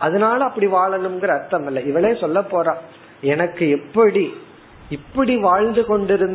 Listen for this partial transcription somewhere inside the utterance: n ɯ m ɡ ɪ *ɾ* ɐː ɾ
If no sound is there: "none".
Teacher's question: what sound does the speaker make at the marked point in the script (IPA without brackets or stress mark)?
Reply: ɾ